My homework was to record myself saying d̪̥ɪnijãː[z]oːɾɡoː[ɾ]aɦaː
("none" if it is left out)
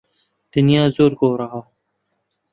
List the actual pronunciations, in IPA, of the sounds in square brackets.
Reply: z, ɾ

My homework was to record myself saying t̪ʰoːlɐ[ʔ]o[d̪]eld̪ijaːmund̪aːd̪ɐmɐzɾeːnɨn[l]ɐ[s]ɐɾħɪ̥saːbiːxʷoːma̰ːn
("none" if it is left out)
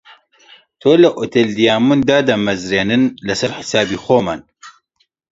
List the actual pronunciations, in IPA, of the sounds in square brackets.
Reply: ʔ, t̪, l, s

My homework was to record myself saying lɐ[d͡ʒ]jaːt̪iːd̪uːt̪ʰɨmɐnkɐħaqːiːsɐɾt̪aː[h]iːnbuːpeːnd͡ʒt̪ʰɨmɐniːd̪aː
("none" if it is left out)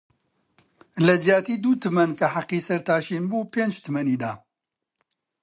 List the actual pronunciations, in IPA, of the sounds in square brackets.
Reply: d͡ʒ, ʃ

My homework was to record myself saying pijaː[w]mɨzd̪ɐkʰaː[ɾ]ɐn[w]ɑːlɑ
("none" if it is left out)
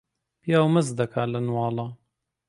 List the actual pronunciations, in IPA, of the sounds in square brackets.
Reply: w, l, w

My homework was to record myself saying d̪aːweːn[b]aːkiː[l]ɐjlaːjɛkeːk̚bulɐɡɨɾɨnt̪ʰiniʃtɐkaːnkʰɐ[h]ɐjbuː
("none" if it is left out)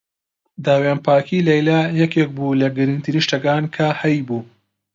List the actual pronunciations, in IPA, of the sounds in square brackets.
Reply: p, l, h

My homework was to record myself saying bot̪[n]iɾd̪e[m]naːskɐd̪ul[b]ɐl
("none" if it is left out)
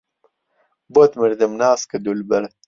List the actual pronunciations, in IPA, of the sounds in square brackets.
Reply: m, m, b

